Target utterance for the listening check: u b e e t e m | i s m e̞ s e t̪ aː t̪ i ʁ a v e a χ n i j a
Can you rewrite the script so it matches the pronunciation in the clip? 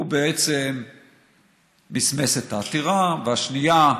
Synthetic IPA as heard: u b e e t͡s e m | i s m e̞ s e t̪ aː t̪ i ʁ a v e a ʃ n i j a